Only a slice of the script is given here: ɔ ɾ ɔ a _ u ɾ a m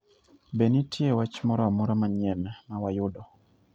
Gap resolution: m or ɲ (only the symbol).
m